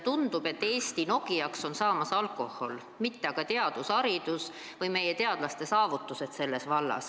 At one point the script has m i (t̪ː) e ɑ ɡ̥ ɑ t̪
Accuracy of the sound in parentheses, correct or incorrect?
correct